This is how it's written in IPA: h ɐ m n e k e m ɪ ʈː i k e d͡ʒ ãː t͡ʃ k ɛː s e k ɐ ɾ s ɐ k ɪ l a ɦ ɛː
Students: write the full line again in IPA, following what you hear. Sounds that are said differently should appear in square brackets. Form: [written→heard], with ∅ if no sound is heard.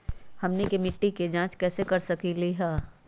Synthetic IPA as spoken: h ɐ m n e k e m ɪ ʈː i k e d͡ʒ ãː t͡ʃ k ɛː s e k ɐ ɾ s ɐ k [ɪ→i] l [a→i] ɦ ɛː